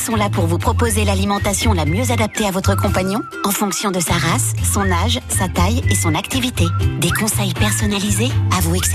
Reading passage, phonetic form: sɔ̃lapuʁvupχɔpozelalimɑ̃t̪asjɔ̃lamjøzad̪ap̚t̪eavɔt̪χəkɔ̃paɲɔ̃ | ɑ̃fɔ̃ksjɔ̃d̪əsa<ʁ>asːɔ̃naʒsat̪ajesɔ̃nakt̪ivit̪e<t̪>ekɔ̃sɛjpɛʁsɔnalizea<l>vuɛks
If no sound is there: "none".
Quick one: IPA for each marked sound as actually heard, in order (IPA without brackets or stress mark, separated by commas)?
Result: ʁ, d̪, none